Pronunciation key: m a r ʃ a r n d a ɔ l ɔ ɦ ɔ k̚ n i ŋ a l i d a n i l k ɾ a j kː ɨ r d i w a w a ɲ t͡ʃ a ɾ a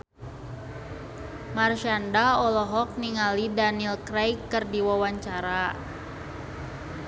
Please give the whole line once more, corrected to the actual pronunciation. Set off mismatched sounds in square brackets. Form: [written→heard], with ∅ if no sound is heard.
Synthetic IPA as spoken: m a r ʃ a [r→∅] n d a ɔ l ɔ ɦ ɔ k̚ n i ŋ a l i d a n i l k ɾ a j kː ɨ r d i w a w a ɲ t͡ʃ a ɾ a